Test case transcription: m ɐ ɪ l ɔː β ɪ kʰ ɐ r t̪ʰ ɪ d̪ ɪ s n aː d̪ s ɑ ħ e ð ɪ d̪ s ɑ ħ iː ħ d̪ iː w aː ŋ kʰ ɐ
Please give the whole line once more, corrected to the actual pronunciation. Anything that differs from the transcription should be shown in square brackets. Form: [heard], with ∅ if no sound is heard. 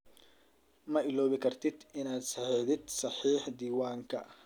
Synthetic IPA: m ɐ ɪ l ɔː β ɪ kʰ ɐ r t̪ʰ ɪ d̪ ɪ [∅] n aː d̪ s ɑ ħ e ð ɪ d̪ s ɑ ħ iː ħ d̪ iː w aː ŋ kʰ ɐ

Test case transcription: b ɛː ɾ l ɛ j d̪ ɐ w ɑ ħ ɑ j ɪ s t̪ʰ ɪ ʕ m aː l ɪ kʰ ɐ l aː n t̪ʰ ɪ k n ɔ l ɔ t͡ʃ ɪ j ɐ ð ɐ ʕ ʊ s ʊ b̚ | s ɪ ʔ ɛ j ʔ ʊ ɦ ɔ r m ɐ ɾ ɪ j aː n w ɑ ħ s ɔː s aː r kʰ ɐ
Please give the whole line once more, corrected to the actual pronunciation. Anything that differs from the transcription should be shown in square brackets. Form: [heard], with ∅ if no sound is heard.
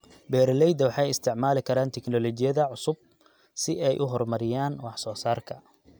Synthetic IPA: b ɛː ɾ l ɛ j d̪ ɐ w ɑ ħ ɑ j ɪ s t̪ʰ ɪ ʕ m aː l ɪ kʰ ɐ [ɾ] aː n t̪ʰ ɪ k n ɔ l ɔ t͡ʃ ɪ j ɐ ð ɐ ʕ ʊ s ʊ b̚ | s ɪ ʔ ɛ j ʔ ʊ ɦ ɔ r m ɐ ɾ ɪ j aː n w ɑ ħ s ɔː s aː r kʰ ɐ

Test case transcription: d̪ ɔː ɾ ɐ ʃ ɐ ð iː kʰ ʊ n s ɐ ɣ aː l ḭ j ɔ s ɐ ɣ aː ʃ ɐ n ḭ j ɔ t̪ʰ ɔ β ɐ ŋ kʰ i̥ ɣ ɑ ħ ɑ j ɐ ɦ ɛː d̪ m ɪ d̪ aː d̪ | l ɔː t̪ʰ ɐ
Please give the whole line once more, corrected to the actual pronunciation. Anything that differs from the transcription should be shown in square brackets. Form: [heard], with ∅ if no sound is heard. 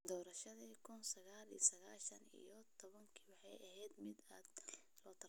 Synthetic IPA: d̪ ɔː ɾ ɐ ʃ ɐ ð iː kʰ ʊ n s ɐ ɣ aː l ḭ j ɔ s ɐ ɣ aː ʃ ɐ n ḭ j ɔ t̪ʰ ɔ β ɐ ŋ kʰ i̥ [w] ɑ ħ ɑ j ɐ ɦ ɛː d̪ m ɪ d̪ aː d̪ | l ɔː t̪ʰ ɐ

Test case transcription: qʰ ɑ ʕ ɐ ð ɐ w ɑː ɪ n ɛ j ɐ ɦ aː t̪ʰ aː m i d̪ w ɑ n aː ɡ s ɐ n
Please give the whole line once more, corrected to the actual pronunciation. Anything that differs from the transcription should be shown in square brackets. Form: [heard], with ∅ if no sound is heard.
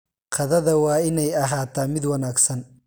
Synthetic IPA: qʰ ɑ [ð] ɐ ð ɐ w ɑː ɪ n ɛ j ɐ ɦ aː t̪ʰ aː m [ɪ] d̪ w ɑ n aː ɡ s ɐ n

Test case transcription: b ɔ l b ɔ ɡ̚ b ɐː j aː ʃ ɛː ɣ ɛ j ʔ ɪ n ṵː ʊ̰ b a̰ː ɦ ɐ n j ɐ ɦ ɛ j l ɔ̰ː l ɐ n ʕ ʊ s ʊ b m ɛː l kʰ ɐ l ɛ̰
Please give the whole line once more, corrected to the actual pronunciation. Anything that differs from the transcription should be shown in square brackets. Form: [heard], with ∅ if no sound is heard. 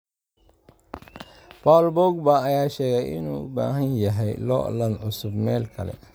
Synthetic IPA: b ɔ l b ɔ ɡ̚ b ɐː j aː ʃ ɛː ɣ ɛ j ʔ ɪ n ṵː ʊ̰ b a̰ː ɦ ɐ n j ɐ ɦ ɛ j l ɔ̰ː l ɐ n ʕ ʊ s ʊ b m ɛː l kʰ ɐ l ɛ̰

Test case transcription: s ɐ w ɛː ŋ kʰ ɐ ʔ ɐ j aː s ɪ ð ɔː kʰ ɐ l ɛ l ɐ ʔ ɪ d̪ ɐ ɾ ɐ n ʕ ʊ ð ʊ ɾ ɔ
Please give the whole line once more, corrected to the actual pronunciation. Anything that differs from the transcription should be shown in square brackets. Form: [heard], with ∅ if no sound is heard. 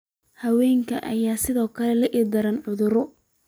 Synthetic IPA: [h] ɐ w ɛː ŋ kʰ ɐ ʔ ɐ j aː s ɪ ð ɔː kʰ ɐ l ɛ l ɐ ʔ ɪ d̪ ɐ ɾ ɐ n ʕ ʊ ð ʊ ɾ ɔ

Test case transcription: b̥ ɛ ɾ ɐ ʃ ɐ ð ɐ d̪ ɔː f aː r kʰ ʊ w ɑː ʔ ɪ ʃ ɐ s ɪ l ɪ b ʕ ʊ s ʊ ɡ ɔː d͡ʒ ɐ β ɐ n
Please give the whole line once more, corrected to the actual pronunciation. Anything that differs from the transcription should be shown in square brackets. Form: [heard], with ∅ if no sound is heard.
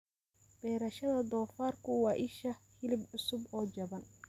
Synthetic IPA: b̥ [ɛː] ɾ ɐ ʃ ɐ ð ɐ d̪ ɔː f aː r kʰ ʊ w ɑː ʔ ɪ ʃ ɐ [h] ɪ l ɪ b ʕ ʊ s ʊ [b] ɔː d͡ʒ ɐ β ɐ n

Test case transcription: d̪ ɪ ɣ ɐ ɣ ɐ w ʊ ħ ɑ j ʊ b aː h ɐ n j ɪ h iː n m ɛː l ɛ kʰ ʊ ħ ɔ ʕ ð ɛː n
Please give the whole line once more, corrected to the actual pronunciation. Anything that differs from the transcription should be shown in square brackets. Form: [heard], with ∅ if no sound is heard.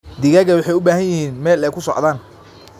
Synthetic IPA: d̪ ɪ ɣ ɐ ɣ ɐ w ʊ ħ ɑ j ʊ b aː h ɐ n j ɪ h iː n m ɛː l ɛ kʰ ʊ [s] ɔ ʕ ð [aː] n

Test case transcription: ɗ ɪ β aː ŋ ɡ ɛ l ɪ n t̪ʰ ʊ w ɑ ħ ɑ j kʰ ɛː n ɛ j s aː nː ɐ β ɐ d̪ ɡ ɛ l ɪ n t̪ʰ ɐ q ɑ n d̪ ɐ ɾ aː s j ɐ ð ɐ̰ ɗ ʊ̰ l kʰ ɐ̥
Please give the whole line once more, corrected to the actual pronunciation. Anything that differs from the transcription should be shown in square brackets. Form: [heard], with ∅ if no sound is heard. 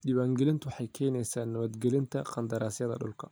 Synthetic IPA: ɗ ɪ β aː ŋ ɡ ɛ l ɪ n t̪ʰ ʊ w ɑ ħ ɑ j kʰ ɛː n ɛ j s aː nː ɐ β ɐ d̪ ɡ ɛ l ɪ n t̪ʰ ɐ q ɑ n d̪ ɐ ɾ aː s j ɐ ð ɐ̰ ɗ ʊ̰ l kʰ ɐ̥

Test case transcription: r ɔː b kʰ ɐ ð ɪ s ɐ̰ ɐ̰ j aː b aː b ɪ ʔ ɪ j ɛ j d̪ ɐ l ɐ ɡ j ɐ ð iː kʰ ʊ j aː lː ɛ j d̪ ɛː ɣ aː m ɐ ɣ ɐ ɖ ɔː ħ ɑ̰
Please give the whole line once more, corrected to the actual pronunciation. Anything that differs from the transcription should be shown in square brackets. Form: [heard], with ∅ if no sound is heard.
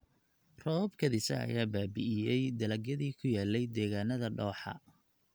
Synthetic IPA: r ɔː b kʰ ɐ ð ɪ s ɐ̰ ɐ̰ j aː b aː b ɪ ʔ ɪ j ɛ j d̪ ɐ l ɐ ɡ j ɐ ð iː kʰ ʊ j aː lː ɛ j d̪ ɛː ɣ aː [n] ɐ [ð] ɐ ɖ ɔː ħ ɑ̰

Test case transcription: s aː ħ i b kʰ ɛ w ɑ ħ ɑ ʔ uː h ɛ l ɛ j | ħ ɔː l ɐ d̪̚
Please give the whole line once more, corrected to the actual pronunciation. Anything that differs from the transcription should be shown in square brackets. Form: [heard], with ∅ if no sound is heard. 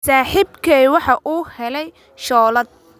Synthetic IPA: s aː ħ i b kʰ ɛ w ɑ ħ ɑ ʔ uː h ɛ l ɛ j | [ʃ] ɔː l ɐ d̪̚

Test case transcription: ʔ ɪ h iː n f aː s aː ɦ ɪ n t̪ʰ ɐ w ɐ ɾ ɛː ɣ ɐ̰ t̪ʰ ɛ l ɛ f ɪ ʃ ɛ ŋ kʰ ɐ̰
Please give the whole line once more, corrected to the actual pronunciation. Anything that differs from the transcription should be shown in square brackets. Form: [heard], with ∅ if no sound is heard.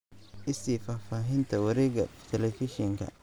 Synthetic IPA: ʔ ɪ [s] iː [∅] f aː [f] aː ɦ ɪ n t̪ʰ ɐ w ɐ ɾ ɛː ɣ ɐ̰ t̪ʰ ɛ l ɛ f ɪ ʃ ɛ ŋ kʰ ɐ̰

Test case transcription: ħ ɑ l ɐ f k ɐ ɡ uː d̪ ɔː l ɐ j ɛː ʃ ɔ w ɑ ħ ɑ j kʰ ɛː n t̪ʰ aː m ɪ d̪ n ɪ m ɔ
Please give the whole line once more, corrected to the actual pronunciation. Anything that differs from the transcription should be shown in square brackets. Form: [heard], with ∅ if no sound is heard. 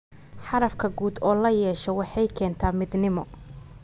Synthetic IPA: ħ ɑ [ɾ] ɐ f [kʰ] ɐ ɡ uː d̪ ɔː l ɐ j ɛː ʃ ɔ w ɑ ħ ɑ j kʰ ɛː n t̪ʰ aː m ɪ d̪ n ɪ m ɔ

